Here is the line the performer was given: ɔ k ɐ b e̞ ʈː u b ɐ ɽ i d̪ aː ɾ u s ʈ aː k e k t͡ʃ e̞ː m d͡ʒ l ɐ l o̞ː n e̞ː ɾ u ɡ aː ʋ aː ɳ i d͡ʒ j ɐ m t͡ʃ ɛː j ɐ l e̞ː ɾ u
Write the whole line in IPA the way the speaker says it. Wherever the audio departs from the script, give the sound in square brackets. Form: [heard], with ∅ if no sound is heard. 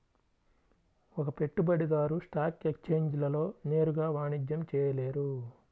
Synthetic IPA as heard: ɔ k ɐ [p] e̞ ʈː u b ɐ ɽ i d̪ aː ɾ u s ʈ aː k e k t͡ʃ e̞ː [ɲ] d͡ʒ l ɐ l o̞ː n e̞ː ɾ u ɡ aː ʋ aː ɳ i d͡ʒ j ɐ m t͡ʃ ɛː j ɐ l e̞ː ɾ u